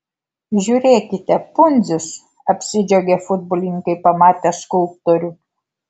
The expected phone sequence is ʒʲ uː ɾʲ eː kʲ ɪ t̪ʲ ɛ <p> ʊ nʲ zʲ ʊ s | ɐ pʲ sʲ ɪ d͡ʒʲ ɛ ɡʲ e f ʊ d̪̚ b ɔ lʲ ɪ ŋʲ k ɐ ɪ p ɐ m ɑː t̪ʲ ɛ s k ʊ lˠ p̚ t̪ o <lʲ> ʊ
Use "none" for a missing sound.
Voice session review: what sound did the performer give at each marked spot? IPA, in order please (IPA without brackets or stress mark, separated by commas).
p, ɾʲ